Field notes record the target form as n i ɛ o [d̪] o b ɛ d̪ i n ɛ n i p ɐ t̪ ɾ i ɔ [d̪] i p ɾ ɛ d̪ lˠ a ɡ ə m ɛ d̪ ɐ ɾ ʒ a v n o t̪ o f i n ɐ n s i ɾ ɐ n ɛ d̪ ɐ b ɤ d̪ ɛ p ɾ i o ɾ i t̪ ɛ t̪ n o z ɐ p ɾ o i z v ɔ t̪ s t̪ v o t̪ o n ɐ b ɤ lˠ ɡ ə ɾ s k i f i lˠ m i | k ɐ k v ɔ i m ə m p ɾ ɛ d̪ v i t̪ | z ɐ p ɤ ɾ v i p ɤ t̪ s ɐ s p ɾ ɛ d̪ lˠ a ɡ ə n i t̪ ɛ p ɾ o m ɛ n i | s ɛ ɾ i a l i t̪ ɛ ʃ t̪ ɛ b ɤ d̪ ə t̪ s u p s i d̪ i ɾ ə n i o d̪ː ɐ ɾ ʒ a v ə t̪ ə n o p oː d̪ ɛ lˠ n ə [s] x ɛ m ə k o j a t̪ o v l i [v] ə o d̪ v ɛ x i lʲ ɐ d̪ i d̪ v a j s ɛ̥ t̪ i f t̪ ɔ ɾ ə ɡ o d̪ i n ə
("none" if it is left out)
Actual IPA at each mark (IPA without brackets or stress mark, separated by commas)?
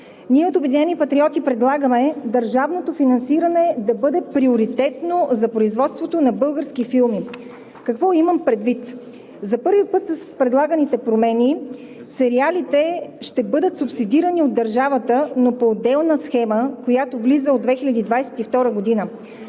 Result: t̪, t̪, s, z